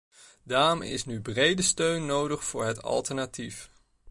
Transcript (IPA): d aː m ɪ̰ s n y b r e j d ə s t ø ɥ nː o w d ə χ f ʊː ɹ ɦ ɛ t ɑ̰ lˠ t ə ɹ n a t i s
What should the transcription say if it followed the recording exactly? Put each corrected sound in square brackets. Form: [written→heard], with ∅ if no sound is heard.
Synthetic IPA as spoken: d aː m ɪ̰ s n y b r e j d ə s t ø ɥ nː o w d ə χ f ʊː ɹ ɦ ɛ t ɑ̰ lˠ t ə ɹ n a t i [s→f]